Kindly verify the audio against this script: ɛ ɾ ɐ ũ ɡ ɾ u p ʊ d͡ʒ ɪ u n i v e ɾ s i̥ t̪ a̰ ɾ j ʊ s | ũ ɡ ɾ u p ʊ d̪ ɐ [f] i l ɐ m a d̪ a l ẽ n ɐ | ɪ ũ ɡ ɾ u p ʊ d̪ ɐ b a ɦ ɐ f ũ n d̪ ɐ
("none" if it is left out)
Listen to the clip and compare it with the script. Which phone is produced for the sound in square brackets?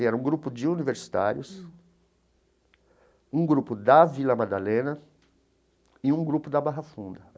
v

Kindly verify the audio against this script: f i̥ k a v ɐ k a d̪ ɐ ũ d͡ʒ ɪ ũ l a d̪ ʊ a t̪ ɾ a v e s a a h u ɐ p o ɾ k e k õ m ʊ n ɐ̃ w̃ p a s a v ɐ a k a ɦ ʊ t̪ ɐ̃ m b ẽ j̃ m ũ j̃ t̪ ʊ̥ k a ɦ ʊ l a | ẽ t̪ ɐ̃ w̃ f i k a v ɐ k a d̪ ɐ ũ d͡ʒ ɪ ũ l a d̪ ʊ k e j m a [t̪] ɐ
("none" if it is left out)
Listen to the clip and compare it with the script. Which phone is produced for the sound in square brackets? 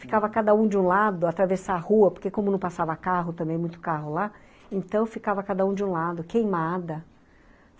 d̪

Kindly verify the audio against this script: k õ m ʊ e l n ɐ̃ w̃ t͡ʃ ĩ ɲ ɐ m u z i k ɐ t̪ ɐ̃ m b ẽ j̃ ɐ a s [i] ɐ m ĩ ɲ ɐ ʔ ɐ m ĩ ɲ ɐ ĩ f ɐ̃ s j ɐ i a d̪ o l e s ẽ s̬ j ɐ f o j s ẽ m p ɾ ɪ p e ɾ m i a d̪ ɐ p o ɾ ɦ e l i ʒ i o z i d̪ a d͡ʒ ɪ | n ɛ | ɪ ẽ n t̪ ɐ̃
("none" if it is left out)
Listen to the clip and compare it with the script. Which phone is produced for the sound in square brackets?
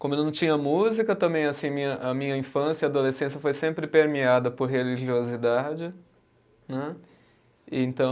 ĩ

